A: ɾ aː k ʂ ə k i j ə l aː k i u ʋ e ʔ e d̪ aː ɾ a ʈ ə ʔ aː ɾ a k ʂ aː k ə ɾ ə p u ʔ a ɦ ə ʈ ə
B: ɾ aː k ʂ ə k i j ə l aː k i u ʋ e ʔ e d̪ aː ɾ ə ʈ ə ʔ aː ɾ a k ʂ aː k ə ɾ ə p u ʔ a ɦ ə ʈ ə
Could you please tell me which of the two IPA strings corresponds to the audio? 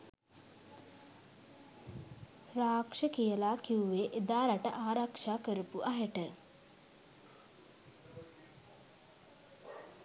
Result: A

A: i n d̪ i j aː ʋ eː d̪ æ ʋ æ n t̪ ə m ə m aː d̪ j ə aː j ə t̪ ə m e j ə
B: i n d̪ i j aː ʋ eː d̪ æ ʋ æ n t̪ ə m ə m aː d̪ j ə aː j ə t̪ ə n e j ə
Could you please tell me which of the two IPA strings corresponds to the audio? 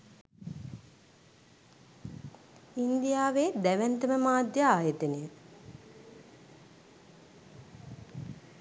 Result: B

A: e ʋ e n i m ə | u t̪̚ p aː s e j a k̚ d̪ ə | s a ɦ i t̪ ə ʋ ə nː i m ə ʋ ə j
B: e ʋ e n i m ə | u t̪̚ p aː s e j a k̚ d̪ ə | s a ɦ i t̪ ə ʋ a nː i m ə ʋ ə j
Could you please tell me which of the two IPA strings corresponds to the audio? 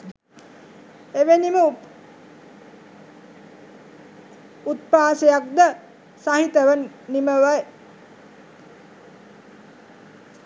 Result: A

